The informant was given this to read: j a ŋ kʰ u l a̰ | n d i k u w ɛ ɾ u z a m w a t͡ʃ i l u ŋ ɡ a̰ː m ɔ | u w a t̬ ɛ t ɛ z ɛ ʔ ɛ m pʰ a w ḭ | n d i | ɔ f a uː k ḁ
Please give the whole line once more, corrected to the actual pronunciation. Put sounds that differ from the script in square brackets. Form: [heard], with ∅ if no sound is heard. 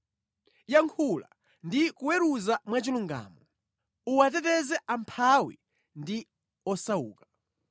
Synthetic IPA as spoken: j a ŋ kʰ u l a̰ | n d i k u w ɛ ɾ u z a m w a t͡ʃ i l u ŋ ɡ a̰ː m ɔ | u w a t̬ ɛ t ɛ z ɛ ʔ [a] m pʰ a w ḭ | n d i | ɔ [s] a uː k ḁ